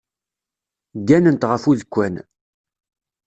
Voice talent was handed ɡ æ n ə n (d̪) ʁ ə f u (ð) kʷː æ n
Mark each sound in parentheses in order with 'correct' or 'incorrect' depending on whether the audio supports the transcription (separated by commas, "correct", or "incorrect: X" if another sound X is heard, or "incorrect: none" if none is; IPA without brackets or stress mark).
incorrect: t̪, correct